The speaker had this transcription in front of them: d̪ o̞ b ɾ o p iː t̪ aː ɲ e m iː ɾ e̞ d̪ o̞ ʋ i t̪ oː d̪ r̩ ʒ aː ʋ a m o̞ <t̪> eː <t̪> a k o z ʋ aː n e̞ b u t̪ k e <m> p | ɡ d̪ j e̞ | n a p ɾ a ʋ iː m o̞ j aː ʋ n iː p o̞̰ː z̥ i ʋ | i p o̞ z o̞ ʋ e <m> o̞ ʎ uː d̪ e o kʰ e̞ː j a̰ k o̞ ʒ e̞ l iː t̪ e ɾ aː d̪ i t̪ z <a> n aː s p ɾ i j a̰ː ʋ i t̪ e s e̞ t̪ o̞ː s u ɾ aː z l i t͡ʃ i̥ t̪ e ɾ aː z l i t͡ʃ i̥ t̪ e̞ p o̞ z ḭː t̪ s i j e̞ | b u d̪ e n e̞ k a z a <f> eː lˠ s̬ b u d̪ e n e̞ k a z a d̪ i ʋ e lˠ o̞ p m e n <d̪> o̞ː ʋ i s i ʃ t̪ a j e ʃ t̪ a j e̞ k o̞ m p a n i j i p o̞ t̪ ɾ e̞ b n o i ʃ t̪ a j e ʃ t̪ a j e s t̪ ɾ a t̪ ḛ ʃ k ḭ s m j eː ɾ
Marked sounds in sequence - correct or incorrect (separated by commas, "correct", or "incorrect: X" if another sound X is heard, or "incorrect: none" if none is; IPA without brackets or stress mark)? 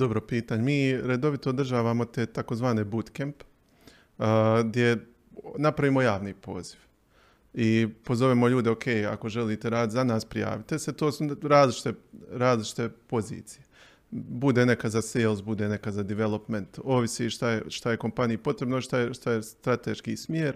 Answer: correct, correct, correct, correct, correct, incorrect: s, incorrect: t̪